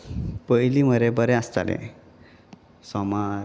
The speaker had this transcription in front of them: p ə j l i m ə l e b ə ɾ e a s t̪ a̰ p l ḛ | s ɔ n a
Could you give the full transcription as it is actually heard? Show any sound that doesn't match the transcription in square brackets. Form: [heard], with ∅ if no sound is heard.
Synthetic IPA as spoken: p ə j l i m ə [ɾ] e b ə ɾ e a s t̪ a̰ [∅] l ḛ | s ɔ [m] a